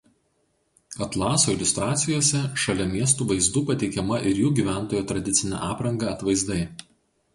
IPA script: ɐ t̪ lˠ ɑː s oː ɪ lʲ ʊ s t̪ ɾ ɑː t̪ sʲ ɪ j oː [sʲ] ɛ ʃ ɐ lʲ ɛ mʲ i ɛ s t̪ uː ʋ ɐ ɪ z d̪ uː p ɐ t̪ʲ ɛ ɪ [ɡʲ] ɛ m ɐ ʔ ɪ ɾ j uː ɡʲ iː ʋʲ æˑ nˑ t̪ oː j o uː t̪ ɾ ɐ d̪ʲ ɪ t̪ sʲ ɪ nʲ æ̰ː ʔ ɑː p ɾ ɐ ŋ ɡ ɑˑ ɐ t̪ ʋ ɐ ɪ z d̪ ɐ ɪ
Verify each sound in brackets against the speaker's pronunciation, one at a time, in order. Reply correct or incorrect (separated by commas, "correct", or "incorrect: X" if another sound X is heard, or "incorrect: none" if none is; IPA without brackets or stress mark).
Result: correct, incorrect: kʲ